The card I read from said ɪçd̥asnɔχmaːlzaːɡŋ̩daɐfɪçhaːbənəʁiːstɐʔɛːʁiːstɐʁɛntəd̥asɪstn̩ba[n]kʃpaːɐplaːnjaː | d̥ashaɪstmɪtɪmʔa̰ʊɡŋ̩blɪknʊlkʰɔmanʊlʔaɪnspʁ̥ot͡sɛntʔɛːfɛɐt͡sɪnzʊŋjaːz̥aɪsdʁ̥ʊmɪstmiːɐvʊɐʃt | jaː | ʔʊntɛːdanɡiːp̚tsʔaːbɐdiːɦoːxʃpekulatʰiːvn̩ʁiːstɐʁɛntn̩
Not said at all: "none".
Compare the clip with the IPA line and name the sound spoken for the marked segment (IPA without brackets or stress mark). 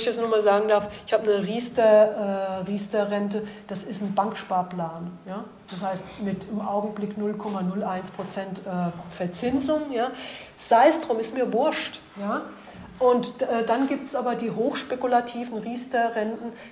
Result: ŋ